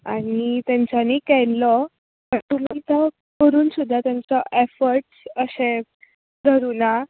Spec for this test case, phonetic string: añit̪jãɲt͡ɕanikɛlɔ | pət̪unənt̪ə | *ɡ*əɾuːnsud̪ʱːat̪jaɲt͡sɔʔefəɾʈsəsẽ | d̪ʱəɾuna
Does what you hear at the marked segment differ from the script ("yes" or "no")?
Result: yes